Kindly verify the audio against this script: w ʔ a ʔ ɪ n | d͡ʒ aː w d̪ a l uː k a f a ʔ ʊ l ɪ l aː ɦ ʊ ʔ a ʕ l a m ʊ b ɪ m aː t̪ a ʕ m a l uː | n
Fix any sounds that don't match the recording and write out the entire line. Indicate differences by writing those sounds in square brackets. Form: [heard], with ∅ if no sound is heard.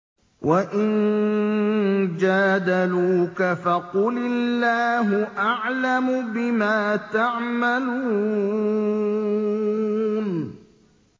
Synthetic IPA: w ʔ a ʔ ɪ n | d͡ʒ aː [∅] d̪ a l uː k a f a [q] ʊ l ɪ [lː] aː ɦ ʊ ʔ a ʕ l a m ʊ b ɪ m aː t̪ a ʕ m a l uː | n